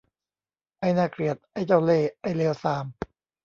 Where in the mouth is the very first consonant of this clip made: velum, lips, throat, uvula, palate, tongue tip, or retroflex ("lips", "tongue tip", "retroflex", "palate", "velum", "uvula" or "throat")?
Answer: throat